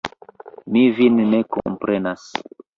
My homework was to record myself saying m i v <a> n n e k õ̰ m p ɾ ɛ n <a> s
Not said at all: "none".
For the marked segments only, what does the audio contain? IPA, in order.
i, a

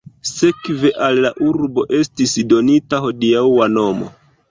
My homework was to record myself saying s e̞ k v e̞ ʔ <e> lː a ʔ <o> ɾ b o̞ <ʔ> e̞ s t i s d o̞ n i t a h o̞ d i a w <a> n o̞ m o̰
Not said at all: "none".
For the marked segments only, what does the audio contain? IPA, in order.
a, u, ʔ, a

